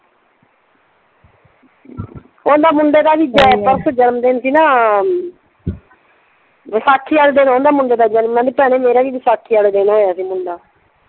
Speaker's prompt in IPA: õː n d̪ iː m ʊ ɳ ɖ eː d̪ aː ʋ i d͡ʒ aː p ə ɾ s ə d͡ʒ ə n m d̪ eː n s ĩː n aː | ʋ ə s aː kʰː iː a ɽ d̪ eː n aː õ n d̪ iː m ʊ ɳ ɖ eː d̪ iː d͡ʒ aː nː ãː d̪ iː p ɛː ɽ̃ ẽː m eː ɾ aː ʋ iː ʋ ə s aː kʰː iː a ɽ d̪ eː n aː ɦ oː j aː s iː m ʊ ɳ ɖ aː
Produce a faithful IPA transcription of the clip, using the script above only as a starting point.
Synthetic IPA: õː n d̪ aː m ʊ ɳ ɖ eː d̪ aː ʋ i d͡ʒ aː p ə ɾ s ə d͡ʒ ə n m d̪ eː n s iː n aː | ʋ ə s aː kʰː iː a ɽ d̪ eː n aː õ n d̪ aː m ʊ ɳ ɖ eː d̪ aː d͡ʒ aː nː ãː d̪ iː p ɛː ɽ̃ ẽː m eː ɾ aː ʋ iː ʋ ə s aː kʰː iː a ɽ d̪ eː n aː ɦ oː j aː s iː m ʊ ɳ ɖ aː